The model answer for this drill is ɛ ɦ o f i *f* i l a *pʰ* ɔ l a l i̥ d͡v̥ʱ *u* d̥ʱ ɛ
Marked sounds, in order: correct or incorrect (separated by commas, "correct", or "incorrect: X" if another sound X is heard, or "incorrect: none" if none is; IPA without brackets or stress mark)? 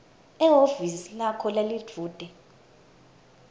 incorrect: s, incorrect: kʰ, incorrect: uː